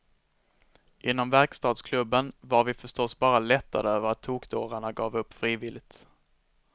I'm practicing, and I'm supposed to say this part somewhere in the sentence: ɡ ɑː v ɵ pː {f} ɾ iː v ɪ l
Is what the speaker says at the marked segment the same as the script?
yes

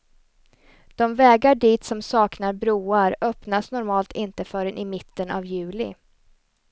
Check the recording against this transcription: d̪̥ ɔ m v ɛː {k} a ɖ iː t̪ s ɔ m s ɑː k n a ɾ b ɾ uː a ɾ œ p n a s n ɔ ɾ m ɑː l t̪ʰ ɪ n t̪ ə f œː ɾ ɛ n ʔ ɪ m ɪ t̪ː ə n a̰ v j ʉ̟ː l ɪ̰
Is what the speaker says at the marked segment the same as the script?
no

